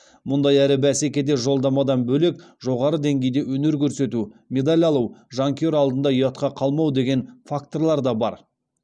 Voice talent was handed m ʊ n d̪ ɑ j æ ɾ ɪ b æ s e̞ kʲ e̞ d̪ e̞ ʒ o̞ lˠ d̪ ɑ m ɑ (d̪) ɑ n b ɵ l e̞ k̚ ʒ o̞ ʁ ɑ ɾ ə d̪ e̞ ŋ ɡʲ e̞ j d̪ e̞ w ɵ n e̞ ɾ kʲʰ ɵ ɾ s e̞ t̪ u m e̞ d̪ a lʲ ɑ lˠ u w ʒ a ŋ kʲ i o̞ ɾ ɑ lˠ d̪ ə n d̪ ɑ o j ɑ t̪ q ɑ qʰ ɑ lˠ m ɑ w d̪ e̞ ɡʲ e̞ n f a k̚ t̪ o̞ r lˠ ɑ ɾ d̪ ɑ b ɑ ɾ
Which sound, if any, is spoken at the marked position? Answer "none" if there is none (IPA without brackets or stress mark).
d̪